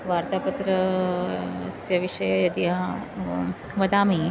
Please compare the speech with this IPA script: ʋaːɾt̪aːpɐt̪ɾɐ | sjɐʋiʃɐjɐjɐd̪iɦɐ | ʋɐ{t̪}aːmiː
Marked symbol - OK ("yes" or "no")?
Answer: no